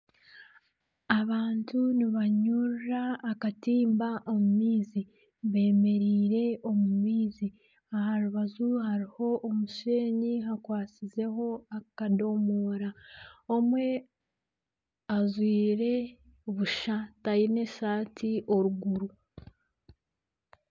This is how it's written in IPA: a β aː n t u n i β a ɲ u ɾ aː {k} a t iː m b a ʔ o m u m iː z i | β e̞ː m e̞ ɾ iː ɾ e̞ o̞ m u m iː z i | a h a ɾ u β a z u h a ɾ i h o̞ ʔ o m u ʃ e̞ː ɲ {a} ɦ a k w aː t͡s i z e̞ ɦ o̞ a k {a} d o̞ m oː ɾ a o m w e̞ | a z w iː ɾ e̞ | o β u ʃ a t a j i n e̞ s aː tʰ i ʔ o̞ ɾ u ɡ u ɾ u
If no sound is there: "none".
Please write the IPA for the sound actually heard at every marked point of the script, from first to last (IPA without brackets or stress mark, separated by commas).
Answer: k, i, a